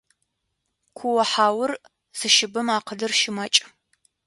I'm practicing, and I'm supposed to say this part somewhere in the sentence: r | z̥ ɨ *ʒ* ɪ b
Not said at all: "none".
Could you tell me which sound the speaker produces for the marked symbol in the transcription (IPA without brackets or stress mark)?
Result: ʃ